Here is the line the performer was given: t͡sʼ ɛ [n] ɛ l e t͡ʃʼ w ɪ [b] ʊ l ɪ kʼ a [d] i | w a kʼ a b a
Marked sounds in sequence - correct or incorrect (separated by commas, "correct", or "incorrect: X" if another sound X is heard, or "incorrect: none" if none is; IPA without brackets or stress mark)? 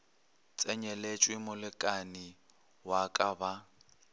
incorrect: ɲ, incorrect: m, incorrect: n